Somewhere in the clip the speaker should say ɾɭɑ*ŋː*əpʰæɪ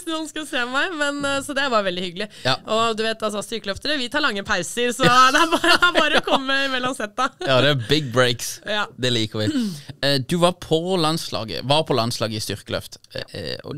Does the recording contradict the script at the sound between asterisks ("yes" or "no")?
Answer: no